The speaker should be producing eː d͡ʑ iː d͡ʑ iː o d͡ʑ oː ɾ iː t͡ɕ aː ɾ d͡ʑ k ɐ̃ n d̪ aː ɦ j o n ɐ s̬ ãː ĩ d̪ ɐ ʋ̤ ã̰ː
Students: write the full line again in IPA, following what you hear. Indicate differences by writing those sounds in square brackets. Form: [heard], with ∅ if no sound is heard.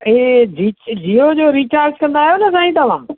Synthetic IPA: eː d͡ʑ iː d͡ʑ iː o d͡ʑ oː ɾ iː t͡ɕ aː ɾ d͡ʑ k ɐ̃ n d̪ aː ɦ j o n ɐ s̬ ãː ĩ [t̪] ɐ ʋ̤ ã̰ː